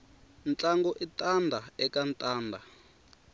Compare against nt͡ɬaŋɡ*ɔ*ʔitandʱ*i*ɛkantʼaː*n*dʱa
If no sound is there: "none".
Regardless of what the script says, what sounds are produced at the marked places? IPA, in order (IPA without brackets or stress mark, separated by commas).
ɔ, a, n